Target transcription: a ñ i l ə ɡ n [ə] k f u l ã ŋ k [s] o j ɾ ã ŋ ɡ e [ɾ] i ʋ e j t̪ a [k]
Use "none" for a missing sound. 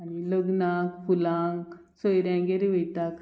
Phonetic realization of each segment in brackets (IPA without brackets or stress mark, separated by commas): a, s, ɾ, k